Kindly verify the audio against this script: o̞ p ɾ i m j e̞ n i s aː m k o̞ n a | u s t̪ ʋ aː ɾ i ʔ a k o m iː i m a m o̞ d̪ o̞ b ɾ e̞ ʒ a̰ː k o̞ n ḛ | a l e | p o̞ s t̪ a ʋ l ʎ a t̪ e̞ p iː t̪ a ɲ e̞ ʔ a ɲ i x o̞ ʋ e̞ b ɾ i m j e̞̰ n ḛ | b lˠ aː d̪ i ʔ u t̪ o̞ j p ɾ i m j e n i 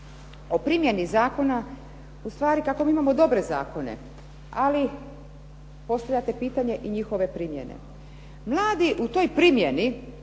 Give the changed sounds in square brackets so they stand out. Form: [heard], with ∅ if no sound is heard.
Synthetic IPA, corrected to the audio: o̞ p ɾ i m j e̞ n i [z] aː [∅] k o̞ n a | u s t̪ ʋ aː ɾ i [k] a k o m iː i m a m o̞ d̪ o̞ b ɾ e̞ [z] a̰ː k o̞ n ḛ | a l [i] | p o̞ s t̪ a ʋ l ʎ a t̪ e̞ p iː t̪ a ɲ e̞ ʔ [i] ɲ i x o̞ ʋ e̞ [p] ɾ i m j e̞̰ n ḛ | [m] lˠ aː d̪ i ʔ u t̪ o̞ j p ɾ i m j e n i

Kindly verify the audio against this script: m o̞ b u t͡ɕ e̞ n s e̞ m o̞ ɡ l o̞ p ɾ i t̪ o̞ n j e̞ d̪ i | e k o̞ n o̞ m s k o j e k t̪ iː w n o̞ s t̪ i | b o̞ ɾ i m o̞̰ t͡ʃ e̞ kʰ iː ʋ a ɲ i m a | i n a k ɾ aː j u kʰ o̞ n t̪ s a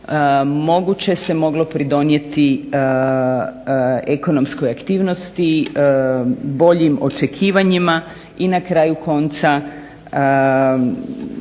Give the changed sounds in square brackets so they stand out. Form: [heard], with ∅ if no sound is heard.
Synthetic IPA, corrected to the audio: m o̞ [ɡ] u t͡ɕ e̞ [∅] s e̞ m o̞ ɡ l o̞ p ɾ i [d̪] o̞ n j e̞ [t̪] i | e k o̞ n o̞ m s k o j [a] k t̪ iː [ʋ] n o̞ s t̪ i | b o̞ [ʎ] i m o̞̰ t͡ʃ e̞ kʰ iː ʋ a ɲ i m a | i n a k ɾ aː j u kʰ o̞ n t̪ s a

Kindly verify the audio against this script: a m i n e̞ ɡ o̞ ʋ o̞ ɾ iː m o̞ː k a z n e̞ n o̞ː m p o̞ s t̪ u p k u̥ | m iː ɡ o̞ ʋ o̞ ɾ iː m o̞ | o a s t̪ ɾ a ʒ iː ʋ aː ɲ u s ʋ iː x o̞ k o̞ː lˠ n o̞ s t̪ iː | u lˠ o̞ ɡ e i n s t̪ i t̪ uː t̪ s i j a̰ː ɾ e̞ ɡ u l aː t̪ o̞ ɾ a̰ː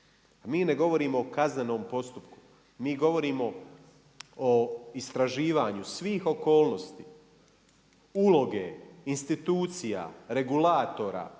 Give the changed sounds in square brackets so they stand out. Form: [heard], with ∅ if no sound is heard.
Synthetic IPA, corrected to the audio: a m [iː] n e̞ ɡ o̞ ʋ o̞ ɾ iː m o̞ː k a z n e̞ n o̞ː m p o̞ s t̪ u p k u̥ | m iː ɡ o̞ ʋ o̞ ɾ iː m o̞ | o [i] s t̪ ɾ a ʒ iː ʋ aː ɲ u s ʋ iː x o̞ k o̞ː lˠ n o̞ s t̪ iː | u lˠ o̞ ɡ e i n s t̪ i t̪ uː t̪ s i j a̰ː ɾ e̞ ɡ u l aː t̪ o̞ ɾ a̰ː

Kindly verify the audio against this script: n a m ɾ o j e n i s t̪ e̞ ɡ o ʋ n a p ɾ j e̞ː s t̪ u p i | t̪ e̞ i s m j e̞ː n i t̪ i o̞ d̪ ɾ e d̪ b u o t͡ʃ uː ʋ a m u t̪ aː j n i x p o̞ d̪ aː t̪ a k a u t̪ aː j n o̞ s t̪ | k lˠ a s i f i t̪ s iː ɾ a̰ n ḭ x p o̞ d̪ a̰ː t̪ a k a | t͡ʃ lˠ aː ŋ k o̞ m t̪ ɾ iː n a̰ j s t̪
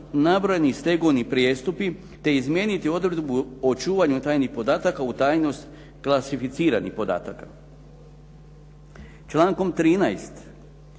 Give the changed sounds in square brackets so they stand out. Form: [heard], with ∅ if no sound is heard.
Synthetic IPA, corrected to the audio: n a [b] ɾ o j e n i s t̪ e̞ ɡ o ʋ n [i] p ɾ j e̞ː s t̪ u p i | t̪ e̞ i [z] m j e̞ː n i t̪ i o̞ d̪ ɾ e d̪ b u o t͡ʃ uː ʋ a [ɲ] u t̪ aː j n i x p o̞ d̪ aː t̪ a k a u t̪ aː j n o̞ s t̪ | k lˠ a s i f i t̪ s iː ɾ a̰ n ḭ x p o̞ d̪ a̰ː t̪ a k a | t͡ʃ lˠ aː ŋ k o̞ m t̪ ɾ iː n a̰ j s t̪

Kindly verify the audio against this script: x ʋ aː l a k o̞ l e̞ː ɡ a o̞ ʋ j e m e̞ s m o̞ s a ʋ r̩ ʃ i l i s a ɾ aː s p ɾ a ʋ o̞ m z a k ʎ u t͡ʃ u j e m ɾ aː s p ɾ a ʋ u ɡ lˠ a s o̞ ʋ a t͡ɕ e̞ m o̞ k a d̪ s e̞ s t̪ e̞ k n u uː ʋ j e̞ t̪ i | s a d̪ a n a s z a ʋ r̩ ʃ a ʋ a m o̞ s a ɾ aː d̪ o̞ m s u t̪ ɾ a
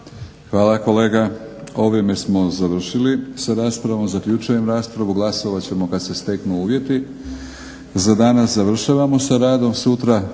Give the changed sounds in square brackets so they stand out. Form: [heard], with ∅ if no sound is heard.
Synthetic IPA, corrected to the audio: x ʋ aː l a k o̞ l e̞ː ɡ a o̞ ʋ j e m e̞ s m o̞ [z] a ʋ r̩ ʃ i l i s a ɾ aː s p ɾ a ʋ o̞ m z a k ʎ u t͡ʃ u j e m ɾ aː s p ɾ a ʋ u ɡ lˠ a s o̞ ʋ a t͡ɕ e̞ m o̞ k a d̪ s e̞ s t̪ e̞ k n u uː ʋ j e̞ t̪ i | [z] a d̪ a n a s z a ʋ r̩ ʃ a ʋ a m o̞ s a ɾ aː d̪ o̞ m s u t̪ ɾ a

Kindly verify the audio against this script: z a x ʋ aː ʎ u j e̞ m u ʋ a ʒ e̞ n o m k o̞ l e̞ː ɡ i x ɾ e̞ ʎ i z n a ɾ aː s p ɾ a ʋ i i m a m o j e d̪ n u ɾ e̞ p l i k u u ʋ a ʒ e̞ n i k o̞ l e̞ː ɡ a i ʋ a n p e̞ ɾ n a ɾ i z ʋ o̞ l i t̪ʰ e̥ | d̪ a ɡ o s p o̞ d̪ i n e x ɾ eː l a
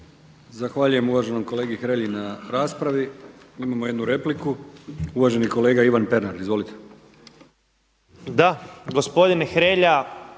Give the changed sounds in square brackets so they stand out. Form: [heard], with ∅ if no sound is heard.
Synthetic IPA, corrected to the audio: z a x ʋ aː ʎ u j e̞ m u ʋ a ʒ e̞ n o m k o̞ l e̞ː ɡ i x ɾ e̞ ʎ i [∅] n a ɾ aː s p ɾ a ʋ i i m a m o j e d̪ n u ɾ e̞ p l i k u u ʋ a ʒ e̞ n i k o̞ l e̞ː ɡ a i ʋ a n p e̞ ɾ n a ɾ i z ʋ o̞ l i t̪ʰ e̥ | d̪ a ɡ o s p o̞ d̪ i n e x ɾ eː [ʎ] a

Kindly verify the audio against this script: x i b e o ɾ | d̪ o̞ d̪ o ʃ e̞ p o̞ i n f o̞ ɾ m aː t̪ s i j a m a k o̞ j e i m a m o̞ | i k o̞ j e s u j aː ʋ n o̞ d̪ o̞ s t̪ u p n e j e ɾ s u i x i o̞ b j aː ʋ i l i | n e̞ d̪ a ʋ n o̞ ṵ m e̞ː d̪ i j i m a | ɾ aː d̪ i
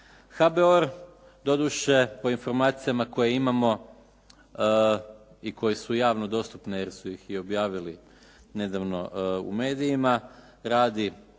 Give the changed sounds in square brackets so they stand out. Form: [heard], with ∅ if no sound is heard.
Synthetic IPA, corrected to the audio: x [a] b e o ɾ | d̪ o̞ d̪ [u] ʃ e̞ p o̞ i n f o̞ ɾ m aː t̪ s i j a m a k o̞ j e i m a m o̞ | i k o̞ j e s u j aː ʋ n o̞ d̪ o̞ s t̪ u p n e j e ɾ s u i x i o̞ b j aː ʋ i l i | n e̞ d̪ a ʋ n o̞ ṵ m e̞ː d̪ i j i m a | ɾ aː d̪ i

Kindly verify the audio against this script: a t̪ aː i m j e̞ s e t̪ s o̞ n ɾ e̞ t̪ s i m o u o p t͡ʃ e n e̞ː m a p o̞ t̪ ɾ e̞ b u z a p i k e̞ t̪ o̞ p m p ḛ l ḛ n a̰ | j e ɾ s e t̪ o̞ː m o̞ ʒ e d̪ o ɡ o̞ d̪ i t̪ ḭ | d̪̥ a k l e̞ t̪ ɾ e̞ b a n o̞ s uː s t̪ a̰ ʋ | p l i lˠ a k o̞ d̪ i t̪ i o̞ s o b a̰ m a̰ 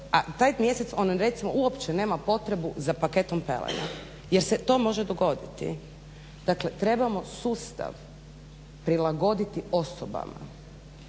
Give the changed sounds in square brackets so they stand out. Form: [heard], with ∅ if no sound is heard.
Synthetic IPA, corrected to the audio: a t̪ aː [j] m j e̞ s e t̪ s o̞ n ɾ e̞ t̪ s i m o u o p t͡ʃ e n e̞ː m a p o̞ t̪ ɾ e̞ b u z a p [a] k e̞ t̪ o̞ [∅] m p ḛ l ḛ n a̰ | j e ɾ s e t̪ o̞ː m o̞ ʒ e d̪ o ɡ o̞ d̪ i t̪ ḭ | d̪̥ a k l e̞ t̪ ɾ e̞ b a [m] o̞ s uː s t̪ a̰ ʋ | p [ɾ] i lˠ a [ɡ] o̞ d̪ i t̪ i o̞ s o b a̰ m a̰

